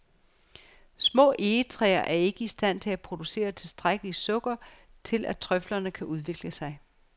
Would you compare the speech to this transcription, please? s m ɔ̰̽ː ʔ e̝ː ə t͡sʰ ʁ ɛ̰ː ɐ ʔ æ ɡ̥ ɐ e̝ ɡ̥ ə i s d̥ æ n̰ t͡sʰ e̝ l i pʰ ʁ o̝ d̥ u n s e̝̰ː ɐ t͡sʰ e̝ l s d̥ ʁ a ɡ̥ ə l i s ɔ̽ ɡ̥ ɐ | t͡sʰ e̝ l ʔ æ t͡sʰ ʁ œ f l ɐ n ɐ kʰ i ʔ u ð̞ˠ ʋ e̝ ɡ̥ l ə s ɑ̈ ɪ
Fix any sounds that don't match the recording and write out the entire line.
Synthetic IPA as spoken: s m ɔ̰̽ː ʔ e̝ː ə t͡sʰ ʁ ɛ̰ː ɐ ʔ æ ɐ e̝ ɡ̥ ə i s d̥ æ n̰ t͡sʰ e̝ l æ pʰ ʁ o̝ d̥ u s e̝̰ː ɐ t͡sʰ e̝ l s d̥ ʁ a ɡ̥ ə l i s ɔ̽ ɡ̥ ɐ | t͡sʰ e̝ l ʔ æ t͡sʰ ʁ œ f l ɐ n ə kʰ æ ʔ u ð̞ˠ ʋ e̝ ɡ̥ l ə s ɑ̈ ɪ

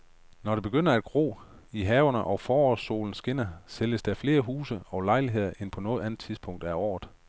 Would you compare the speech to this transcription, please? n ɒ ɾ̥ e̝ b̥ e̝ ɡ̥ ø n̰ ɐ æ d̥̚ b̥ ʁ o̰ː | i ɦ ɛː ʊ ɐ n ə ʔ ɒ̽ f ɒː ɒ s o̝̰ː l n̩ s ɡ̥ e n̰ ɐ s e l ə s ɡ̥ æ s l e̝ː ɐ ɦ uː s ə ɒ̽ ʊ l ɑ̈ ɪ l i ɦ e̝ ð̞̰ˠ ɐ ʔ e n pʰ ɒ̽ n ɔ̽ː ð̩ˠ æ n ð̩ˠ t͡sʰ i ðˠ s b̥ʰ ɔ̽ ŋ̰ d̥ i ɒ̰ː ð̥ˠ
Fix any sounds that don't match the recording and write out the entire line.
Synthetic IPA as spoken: n ɒ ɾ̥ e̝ b̥ e̝ ɡ̥ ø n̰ ɐ æ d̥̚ ɡ̥ ʁ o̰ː | i ɦ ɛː ʊ ɐ n ə ʔ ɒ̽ f ɒː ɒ s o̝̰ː l n̩ s ɡ̥ e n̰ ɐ s e l ə s d̥ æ f l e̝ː ɐ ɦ uː s ə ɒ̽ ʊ l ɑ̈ ɪ l i ɦ e̝ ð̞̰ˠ ɐ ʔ e n pʰ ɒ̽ n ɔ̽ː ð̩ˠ æ n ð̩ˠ t͡sʰ i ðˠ s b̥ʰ ɔ̽ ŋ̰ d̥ æ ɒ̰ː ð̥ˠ

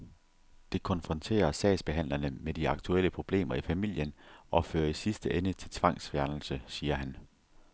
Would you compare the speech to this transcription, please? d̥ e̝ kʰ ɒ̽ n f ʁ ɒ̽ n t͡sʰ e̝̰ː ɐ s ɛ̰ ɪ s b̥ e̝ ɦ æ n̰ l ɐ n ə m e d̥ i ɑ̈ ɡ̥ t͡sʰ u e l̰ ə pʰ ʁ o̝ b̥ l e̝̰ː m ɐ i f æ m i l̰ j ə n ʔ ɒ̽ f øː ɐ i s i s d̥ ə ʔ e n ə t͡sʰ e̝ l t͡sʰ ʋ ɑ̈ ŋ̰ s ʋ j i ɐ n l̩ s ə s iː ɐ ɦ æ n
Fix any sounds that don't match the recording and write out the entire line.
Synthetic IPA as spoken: d̥ e̝ kʰ ɒ̽ n f ʁ ɒ̽ n t͡sʰ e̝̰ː ɐ s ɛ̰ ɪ s b̥ e̝ ɦ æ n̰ l ɐ n ə m e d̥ i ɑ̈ ɡ̥ t͡sʰ u e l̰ ə pʰ ʁ o̝ b̥ l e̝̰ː m ɐ i f æ m i l̰ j ə n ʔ ɒ̽ f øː ɐ i s i s d̥ ə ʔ e n ə t͡sʰ e̝ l t͡sʰ ʋ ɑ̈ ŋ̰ s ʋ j æ ɐ n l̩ s ə s iː ɐ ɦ æ n

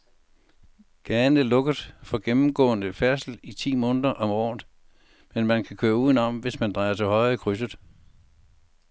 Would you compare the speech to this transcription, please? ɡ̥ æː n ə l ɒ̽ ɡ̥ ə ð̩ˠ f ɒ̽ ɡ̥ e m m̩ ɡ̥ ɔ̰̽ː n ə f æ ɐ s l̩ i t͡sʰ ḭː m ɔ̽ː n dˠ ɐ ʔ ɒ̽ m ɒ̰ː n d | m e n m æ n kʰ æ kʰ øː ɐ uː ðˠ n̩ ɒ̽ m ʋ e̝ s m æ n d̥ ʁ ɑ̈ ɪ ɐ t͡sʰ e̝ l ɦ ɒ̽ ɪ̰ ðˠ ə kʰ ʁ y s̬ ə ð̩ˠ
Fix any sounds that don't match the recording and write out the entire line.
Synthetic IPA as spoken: ɡ̥ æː n ə l ɔ̽ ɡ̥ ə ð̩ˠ f ɒ̽ ɡ̥ e m m̩ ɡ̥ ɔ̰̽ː n ə f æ ɐ s l̩ i t͡sʰ ḭː m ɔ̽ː n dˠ ɐ ʔ ɒ̽ m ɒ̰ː n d | m e n m æ n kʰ æ kʰ øː ɐ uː ðˠ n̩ ɒ̽ m ʋ e̝ s m æ n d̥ ʁ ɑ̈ ɪ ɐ t͡sʰ e̝ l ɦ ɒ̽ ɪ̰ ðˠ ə kʰ ʁ y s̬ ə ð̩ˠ

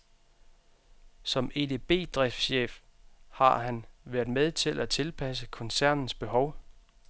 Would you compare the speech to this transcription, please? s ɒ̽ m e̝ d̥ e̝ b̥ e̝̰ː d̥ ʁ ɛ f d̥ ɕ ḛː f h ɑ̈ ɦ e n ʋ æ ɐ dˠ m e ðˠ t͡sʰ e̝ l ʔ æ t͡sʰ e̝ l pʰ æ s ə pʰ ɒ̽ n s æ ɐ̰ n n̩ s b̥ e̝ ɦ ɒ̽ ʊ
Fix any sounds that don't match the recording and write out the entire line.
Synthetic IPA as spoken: s ɒ̽ m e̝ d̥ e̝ b̥ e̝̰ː d̥ ʁ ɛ f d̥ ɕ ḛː f h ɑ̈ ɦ æ n ʋ æ ɐ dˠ m e ðˠ t͡sʰ e̝ l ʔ æ t͡sʰ e̝ l pʰ æ s ə kʰ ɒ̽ n s æ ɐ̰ n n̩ s b̥ e̝ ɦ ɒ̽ ʊ

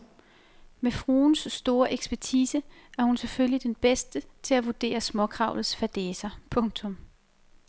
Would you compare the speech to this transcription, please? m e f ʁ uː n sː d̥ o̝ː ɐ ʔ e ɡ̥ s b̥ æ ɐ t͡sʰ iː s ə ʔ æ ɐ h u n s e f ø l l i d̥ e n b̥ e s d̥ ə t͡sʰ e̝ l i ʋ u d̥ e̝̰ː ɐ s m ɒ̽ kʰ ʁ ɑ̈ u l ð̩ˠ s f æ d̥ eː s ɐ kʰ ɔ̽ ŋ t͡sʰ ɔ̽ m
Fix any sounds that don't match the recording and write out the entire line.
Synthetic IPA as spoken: m e f ʁ uː n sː d̥ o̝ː ɐ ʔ e ɡ̥ s b̥ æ ɐ t͡sʰ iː s ə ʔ æ ɐ h u n s e f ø l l i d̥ e n b̥ e s d̥ ə t͡sʰ e̝ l æ ʋ u d̥ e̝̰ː ɐ s m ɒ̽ kʰ ʁ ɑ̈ ʊ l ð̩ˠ s f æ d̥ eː s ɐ pʰ ɔ̽ ŋ t͡sʰ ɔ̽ m

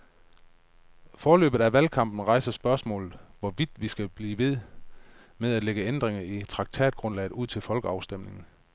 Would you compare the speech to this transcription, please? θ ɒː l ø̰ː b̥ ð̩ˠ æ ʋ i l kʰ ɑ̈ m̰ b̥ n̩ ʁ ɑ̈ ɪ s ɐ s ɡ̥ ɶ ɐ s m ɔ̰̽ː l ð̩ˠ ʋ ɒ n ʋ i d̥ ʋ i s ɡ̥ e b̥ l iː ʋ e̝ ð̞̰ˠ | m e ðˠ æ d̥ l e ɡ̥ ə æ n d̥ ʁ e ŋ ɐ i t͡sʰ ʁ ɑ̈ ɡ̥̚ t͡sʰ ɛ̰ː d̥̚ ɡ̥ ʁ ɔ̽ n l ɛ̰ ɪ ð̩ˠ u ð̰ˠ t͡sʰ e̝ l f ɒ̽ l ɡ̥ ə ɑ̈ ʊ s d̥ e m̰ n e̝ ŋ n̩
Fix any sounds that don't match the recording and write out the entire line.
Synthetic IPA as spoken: f ɒː l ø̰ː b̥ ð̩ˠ æ ʋ æ l kʰ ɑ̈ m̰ b̥ n̩ ʁ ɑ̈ ɪ s ɐ s b̥ ɶ ɐ s m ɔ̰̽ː l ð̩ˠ ʋ ɒ ʋ i d̥ ʋ i s ɡ̥ æ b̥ l iː ʋ e̝ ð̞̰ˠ | m e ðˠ æ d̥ l e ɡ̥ ə e n d̥ ʁ e ŋ ɐ i t͡sʰ ʁ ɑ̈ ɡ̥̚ t͡sʰ ɛ̰ː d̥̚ ɡ̥ ʁ ɔ̽ n l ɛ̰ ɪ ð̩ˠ u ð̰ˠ t͡sʰ e̝ l f ɒ̽ l ɡ̥ ə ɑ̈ ʊ s d̥ e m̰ n e̝ ŋ n̩

